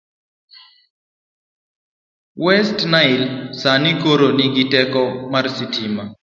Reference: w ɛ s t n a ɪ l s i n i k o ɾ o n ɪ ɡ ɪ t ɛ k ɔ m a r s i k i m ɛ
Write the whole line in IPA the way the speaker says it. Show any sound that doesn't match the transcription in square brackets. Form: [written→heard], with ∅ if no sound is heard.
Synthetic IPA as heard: w ɛ s t n a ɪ l s [i→a] n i k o ɾ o n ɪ ɡ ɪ t ɛ k ɔ m a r s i [k→t] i m [ɛ→a]